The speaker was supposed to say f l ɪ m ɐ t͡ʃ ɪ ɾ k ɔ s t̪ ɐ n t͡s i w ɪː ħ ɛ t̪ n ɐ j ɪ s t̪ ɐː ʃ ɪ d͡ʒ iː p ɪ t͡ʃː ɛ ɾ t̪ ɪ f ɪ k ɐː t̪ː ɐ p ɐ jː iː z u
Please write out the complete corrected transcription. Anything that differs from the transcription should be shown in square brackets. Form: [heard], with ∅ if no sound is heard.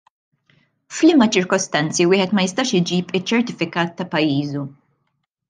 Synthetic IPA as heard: f l ɪ m ɐ t͡ʃ ɪ ɾ k ɔ s t̪ ɐ n t͡s i w ɪː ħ ɛ t̪ [m] ɐ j ɪ s t̪ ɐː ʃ ɪ d͡ʒ iː p ɪ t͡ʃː ɛ ɾ t̪ ɪ f ɪ k ɐː t̪ː ɐ p ɐ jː iː z u